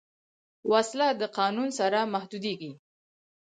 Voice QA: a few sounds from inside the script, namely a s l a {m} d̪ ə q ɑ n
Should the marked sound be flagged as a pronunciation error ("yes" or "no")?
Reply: yes